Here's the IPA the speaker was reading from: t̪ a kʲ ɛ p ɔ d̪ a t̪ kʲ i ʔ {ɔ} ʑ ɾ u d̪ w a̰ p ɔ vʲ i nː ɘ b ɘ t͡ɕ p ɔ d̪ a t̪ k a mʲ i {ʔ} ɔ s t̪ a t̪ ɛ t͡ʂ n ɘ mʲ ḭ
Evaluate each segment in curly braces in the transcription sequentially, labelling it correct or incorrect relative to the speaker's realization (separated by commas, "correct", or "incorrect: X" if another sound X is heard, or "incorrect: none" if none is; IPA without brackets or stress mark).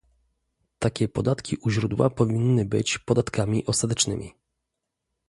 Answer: incorrect: u, correct